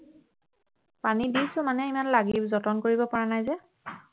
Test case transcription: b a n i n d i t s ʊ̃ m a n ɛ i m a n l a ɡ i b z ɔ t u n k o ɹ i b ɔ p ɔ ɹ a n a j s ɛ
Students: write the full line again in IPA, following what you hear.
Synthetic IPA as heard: p a n i d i s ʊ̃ m a n ɛ i m a n l a ɡ i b z ɔ t ɔ n k o ɹ i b ɔ p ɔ ɹ a n a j z ɛ

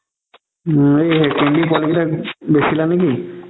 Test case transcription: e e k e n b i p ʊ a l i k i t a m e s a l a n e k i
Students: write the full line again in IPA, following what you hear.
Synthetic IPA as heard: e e k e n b i p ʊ a l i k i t a b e s i l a n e k i

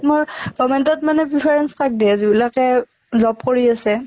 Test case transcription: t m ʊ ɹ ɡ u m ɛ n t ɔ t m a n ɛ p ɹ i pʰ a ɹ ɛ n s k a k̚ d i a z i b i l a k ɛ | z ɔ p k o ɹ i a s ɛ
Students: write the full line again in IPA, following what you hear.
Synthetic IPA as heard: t m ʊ ɹ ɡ ɔ m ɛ n t ɔ t m a n ɛ p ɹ i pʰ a ɹ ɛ n s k a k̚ d i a z i b i l a k ɛ | z ɔ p k o ɹ i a s ɛ

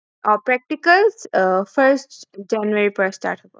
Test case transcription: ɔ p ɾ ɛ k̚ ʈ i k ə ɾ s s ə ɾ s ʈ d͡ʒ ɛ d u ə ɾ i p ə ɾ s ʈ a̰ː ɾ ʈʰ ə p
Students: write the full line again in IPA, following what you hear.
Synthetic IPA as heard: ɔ p ɾ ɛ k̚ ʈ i k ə l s f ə ɾ s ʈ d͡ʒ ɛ n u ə ɾ i p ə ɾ s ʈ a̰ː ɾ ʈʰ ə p

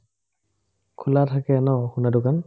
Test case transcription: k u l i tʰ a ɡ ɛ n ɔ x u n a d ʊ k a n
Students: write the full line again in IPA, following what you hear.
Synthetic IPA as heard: kʰ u l a tʰ a k ɛ n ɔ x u n a d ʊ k a n

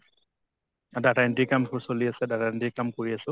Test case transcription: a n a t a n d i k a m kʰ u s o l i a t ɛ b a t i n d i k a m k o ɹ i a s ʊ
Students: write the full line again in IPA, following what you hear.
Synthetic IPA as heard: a d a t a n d i k a m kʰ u s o l i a s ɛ d a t a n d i k a m k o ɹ i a s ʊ

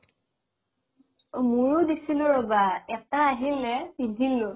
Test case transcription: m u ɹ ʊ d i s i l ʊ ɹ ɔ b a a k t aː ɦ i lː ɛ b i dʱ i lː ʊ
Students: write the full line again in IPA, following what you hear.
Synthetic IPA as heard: m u ɹ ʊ d i s i l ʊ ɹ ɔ b a ɛ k t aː ɦ i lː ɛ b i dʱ i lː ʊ

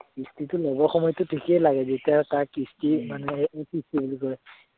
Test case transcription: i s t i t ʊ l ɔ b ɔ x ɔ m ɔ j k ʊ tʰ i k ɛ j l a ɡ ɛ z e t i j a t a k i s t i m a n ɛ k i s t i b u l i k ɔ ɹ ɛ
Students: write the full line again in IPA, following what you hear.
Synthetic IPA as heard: i s t i t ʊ l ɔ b ɔ x ɔ m ɔ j t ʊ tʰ i k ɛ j l a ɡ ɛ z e t i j a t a k i s t i m a n ɛ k i s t i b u l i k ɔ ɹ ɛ

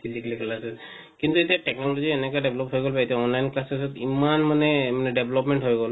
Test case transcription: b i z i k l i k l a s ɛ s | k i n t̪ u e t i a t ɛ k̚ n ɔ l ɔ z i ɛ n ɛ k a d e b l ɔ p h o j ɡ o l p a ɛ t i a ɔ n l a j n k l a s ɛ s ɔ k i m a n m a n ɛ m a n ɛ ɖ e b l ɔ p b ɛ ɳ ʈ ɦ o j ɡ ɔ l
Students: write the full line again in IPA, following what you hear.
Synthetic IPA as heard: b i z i k l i k l a s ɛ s | k i n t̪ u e t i a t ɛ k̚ n ɔ l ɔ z i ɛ n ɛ k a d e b l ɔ p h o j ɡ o l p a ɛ t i a ɔ n l a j n k l a s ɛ s ɔ t i m a n m a n ɛ m a n ɛ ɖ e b l ɔ p m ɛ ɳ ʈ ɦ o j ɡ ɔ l

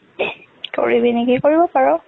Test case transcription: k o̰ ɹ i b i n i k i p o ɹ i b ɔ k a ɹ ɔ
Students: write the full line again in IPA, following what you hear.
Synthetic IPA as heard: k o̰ ɹ i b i n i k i k o ɹ i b ɔ p a ɹ ɔ

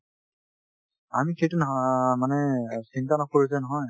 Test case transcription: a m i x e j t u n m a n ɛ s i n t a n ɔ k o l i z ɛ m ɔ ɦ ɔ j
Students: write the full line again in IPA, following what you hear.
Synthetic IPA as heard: a m i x e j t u n m a n ɛ s i n t a n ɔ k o ɹ i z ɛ n ɔ ɦ ɔ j

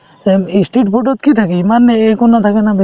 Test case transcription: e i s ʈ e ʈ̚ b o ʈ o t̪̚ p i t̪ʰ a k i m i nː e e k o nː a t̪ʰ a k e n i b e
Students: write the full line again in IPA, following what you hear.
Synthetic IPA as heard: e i s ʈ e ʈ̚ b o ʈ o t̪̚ k i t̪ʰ a k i m a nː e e k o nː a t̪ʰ a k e n a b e

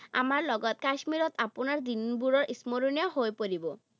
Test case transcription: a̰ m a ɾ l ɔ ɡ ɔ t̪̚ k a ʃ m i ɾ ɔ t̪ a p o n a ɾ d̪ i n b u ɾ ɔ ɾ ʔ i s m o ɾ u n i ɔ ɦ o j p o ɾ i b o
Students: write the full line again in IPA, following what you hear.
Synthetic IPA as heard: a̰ m a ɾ l ɔ ɡ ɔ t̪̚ k a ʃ m i ɾ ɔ t̪ a p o n a ɾ d̪ i n b u ɾ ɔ ɾ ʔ i s m o ɾ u n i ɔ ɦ o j p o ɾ i b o

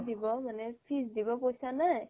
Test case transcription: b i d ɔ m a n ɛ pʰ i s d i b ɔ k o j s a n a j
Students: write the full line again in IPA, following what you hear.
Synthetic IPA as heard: d i b ɔ m a n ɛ pʰ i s d i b ɔ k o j s a n a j

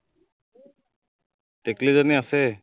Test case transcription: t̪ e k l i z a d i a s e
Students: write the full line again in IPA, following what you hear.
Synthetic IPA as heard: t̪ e k l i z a n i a s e

